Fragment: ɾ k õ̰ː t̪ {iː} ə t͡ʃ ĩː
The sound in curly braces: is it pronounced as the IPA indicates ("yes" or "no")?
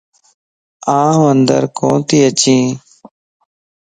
yes